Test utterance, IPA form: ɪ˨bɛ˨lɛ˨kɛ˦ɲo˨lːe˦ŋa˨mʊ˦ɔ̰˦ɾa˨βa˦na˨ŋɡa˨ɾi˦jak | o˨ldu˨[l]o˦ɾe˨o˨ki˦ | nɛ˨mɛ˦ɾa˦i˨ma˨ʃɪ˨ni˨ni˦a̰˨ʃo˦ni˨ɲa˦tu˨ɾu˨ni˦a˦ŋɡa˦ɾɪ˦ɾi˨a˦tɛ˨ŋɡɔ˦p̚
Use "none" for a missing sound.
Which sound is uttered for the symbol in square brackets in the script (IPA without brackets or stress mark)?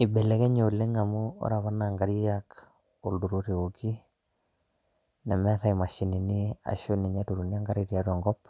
ɾ